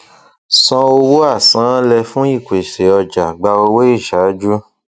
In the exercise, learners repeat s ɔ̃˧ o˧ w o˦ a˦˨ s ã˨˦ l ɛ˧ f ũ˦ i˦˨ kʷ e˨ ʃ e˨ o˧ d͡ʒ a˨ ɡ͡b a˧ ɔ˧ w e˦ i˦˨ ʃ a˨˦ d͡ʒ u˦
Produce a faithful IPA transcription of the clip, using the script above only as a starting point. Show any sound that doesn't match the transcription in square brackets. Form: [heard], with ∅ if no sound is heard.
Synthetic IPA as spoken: s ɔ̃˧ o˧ w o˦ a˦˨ s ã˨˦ l ɛ˧ f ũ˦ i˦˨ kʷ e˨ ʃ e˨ [ɔ˧] d͡ʒ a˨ ɡ͡b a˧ [o˧] w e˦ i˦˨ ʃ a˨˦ d͡ʒ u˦